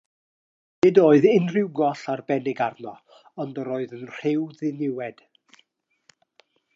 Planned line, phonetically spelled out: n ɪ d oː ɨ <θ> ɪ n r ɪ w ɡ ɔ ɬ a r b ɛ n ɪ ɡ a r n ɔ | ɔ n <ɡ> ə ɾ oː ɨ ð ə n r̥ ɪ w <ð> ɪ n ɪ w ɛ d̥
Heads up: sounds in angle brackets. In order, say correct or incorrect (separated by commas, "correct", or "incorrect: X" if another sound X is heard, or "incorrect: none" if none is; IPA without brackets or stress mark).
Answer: incorrect: ð, incorrect: d, correct